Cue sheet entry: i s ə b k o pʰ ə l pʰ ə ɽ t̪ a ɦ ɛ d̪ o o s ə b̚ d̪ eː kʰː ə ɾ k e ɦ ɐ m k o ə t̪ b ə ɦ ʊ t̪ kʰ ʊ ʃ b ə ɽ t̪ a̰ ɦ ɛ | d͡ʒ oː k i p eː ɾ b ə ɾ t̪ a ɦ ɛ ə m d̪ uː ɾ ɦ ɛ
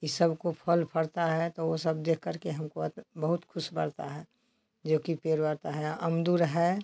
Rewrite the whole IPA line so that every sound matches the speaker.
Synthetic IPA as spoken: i s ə b k o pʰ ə l pʰ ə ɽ t̪ a ɦ ɛ t̪ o o s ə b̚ d̪ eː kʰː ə ɾ k e ɦ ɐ m k o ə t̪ b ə ɦ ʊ t̪ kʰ ʊ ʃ b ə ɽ t̪ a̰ ɦ ɛ | d͡ʒ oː k i p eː ɾ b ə ɾ t̪ a ɦ ɛ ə m d̪ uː ɾ ɦ ɛ